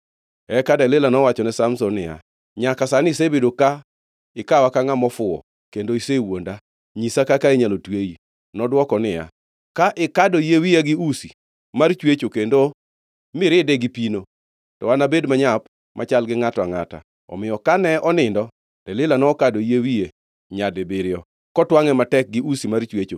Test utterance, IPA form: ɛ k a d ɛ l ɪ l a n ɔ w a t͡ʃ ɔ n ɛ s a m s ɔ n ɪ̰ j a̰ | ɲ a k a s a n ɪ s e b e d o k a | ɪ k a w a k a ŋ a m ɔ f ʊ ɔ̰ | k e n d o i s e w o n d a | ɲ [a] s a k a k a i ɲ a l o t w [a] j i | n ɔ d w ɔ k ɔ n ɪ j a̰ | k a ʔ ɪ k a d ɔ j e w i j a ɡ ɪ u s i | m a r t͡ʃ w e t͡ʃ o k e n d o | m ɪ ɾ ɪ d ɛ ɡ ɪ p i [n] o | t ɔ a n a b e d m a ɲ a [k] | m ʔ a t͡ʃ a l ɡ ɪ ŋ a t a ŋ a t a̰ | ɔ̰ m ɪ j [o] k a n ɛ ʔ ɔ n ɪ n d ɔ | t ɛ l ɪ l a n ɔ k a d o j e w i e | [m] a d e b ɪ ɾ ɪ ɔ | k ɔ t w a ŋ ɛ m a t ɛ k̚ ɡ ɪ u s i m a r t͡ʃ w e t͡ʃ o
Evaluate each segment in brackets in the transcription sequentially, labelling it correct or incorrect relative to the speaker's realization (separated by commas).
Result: incorrect, incorrect, correct, incorrect, incorrect, incorrect